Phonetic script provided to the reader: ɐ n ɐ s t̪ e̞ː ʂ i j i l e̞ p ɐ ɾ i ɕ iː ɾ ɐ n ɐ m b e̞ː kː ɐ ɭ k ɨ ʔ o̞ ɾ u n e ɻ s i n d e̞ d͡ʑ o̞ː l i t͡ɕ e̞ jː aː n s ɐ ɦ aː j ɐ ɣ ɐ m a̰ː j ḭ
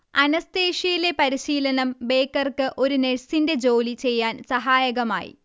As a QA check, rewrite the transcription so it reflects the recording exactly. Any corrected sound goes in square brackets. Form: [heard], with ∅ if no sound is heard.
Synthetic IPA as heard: ɐ n ɐ s t̪ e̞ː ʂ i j i l e̞ p ɐ ɾ i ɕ iː [l] ɐ n ɐ m b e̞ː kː ɐ [r] k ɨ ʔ o̞ ɾ u n e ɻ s i n d e̞ d͡ʑ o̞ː l i t͡ɕ e̞ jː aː n s ɐ ɦ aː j ɐ ɣ ɐ m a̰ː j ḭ